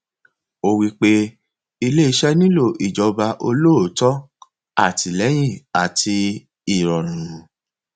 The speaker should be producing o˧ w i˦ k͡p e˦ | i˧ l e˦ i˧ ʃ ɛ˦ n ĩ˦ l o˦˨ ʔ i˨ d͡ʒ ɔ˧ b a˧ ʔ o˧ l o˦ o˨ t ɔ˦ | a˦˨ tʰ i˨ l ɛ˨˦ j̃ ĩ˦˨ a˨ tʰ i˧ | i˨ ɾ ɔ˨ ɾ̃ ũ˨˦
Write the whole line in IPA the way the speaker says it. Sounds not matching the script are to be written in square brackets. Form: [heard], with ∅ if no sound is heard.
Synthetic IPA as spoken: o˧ w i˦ k͡p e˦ | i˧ l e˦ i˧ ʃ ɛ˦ n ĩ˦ l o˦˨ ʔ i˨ d͡ʒ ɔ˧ b a˧ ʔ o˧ l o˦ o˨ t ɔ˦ | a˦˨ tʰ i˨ l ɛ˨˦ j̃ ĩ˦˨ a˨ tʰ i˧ | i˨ ɾ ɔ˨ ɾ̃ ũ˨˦